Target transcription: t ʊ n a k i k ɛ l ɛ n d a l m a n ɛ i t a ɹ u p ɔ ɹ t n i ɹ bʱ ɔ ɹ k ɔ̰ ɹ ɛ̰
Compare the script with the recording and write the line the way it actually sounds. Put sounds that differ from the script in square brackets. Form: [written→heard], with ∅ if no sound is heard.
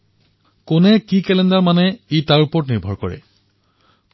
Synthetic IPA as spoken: [t→k] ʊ n [a→ɛ] k i k ɛ l ɛ n d a [l→ɹ] m a n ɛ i t a ɹ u p ɔ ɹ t n i ɹ bʱ ɔ ɹ k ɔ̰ ɹ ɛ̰